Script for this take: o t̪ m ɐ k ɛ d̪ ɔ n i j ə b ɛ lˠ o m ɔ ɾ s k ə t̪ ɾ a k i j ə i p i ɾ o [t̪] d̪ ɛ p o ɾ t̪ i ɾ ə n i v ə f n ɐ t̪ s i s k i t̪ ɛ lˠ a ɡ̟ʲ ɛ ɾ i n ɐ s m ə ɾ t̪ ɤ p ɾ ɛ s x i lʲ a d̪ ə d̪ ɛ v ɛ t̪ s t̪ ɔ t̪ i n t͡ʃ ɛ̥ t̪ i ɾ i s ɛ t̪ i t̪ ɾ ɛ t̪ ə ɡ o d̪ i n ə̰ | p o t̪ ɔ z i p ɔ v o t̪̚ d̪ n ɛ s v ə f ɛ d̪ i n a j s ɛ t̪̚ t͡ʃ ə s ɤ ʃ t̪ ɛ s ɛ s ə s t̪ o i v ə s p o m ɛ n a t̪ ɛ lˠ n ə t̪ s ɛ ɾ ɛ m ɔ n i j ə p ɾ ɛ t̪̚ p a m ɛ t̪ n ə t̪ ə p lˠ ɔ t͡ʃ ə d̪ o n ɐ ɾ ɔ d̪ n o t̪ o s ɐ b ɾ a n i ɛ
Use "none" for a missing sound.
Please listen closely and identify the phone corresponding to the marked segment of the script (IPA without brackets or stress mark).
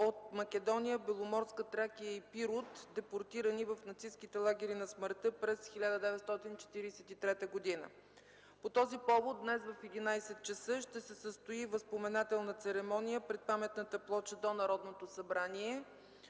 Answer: t̪